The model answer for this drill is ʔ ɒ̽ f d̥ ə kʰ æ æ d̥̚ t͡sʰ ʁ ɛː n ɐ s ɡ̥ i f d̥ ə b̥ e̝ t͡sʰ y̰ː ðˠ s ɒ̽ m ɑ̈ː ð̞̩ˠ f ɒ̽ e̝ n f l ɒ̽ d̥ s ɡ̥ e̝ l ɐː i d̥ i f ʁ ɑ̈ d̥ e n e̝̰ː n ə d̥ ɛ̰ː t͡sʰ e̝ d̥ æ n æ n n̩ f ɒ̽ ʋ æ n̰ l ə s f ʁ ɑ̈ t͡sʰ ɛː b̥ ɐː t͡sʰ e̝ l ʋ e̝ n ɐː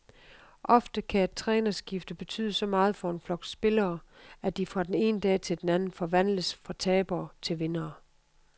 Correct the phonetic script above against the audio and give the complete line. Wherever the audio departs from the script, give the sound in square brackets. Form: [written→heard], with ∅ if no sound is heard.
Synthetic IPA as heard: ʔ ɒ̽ f d̥ ə kʰ æ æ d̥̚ t͡sʰ ʁ ɛː n ɐ s ɡ̥ i f d̥ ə b̥ e̝ t͡sʰ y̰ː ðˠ s ɒ̽ m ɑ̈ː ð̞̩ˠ f ɒ̽ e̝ n f l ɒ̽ [d̥→ɡ̥] s [ɡ̥→b̥] e̝ l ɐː [i→æ] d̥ i f ʁ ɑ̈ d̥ e n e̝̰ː n ə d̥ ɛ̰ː t͡sʰ e̝ d̥ [æ→e] n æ n n̩ f ɒ̽ ʋ æ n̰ l ə s f ʁ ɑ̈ t͡sʰ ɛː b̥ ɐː t͡sʰ e̝ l ʋ e̝ n ɐː